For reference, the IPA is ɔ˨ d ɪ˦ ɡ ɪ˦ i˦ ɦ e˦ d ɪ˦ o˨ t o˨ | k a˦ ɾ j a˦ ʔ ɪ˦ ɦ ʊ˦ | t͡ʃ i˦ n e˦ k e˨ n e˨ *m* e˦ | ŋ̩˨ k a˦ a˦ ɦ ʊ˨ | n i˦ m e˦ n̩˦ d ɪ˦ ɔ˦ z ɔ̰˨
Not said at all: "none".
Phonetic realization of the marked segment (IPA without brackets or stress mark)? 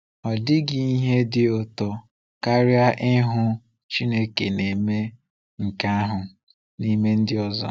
m